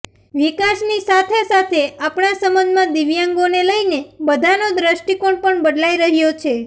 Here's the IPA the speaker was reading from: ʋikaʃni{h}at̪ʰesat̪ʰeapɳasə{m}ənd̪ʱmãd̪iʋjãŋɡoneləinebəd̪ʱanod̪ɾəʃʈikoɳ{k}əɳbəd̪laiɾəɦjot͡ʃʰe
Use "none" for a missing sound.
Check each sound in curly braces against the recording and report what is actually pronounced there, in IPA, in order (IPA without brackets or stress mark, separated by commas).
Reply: s, m, p